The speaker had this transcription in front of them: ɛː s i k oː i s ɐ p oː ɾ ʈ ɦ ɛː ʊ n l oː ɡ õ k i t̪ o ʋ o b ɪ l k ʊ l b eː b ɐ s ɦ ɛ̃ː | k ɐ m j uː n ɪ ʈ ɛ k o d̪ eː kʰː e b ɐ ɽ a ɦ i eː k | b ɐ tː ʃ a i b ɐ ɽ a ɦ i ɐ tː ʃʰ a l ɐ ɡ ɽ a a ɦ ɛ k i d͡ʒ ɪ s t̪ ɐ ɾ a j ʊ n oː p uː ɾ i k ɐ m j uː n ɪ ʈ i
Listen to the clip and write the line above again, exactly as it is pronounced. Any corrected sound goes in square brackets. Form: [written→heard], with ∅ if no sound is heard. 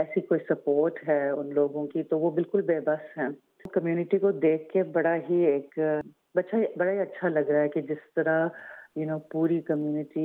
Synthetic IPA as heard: ɛː s i k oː i s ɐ p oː ɾ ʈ ɦ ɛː ʊ n l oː ɡ õ k i t̪ o ʋ o b ɪ l k ʊ l b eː b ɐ s ɦ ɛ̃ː | k ɐ m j uː n ɪ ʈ [ɛ→i] k o d̪ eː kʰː e b ɐ ɽ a ɦ i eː k | b ɐ tː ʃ a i b ɐ ɽ a ɦ i ɐ tː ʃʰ a l ɐ ɡ [ɽ→ɾ] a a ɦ ɛ k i d͡ʒ ɪ s t̪ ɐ ɾ a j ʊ n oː p uː ɾ i k ɐ m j uː n ɪ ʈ i